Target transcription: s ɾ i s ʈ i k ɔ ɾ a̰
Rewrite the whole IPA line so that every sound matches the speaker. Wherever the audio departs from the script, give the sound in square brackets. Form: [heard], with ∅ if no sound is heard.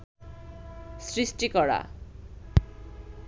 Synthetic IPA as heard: s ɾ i s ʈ i k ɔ [ɽ] a̰